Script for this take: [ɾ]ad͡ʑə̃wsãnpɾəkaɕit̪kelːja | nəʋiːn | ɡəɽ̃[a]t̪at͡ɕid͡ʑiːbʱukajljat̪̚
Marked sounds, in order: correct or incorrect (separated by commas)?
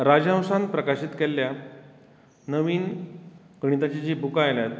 correct, incorrect